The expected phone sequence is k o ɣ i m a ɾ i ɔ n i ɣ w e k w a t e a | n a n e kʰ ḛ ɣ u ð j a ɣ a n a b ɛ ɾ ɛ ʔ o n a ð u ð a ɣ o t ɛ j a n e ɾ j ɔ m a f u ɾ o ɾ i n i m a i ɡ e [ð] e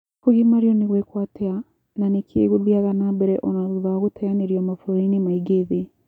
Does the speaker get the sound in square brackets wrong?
no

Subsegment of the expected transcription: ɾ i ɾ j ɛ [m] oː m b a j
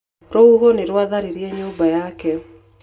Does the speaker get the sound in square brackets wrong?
yes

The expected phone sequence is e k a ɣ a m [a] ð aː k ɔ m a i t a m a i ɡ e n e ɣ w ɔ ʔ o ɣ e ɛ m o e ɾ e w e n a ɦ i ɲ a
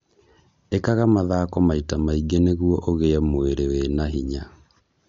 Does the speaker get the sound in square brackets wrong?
no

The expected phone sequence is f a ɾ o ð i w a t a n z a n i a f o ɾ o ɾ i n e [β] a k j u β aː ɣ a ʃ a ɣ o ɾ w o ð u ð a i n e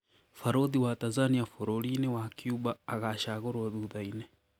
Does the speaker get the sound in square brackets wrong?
yes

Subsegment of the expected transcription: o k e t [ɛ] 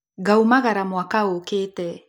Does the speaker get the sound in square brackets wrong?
no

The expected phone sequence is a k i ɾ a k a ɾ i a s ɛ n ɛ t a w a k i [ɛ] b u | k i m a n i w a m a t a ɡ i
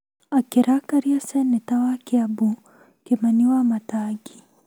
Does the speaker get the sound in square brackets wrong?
yes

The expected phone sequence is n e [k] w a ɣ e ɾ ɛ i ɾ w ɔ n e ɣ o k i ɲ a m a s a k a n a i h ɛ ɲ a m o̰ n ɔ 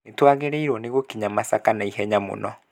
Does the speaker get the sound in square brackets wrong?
yes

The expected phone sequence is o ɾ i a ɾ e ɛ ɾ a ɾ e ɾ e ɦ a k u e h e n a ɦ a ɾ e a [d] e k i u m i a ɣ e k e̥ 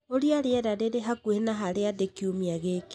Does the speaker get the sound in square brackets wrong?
no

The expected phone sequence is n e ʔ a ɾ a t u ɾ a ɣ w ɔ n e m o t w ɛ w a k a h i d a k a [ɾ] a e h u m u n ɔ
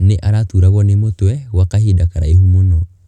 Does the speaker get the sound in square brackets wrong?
no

